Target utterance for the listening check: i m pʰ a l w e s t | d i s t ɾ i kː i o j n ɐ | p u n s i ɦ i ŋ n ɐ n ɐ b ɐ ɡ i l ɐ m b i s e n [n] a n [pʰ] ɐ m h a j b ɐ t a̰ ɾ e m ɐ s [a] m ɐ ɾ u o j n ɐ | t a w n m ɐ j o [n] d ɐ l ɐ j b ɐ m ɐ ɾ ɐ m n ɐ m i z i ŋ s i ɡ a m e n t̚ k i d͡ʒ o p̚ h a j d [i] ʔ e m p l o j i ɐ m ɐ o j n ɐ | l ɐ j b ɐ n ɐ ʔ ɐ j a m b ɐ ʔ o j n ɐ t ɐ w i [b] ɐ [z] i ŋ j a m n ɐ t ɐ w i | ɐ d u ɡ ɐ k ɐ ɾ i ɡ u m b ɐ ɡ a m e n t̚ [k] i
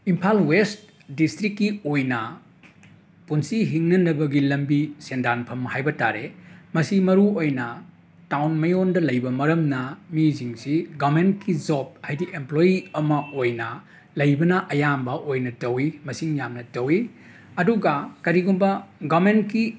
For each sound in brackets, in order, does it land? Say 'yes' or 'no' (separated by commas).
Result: no, yes, no, yes, yes, no, no, yes